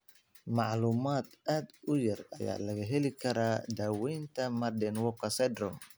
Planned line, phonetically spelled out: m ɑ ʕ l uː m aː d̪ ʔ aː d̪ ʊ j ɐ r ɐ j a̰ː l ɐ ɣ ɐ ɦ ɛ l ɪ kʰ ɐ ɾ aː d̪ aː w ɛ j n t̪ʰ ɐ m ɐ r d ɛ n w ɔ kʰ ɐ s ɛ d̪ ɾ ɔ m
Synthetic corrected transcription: m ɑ ʕ l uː m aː d̪ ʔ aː d̪ ʊ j ɐ r ɐ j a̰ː l ɐ ɣ ɐ ɦ ɛ l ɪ kʰ ɐ ɾ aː d̪ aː w ɛ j n t̪ʰ ɐ m ɐ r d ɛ n w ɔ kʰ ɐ s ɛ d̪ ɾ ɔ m